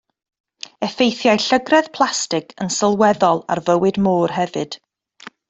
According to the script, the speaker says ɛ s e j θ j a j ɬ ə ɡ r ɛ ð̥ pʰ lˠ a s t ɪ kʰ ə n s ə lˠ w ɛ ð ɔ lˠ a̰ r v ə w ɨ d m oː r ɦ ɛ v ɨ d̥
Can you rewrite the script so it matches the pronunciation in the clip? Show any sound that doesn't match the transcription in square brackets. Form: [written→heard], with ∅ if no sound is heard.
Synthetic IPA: ɛ [s→f] e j θ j a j ɬ ə ɡ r ɛ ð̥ pʰ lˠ a s t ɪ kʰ ə n s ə lˠ w ɛ ð ɔ lˠ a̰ r v ə w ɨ d m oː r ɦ ɛ v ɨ d̥